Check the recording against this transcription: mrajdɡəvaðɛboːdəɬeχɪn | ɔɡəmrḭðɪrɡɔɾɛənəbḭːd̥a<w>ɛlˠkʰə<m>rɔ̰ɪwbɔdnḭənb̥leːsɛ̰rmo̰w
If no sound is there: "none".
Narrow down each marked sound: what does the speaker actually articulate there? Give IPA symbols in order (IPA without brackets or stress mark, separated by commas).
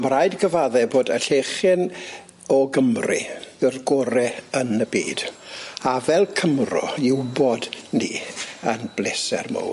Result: v, m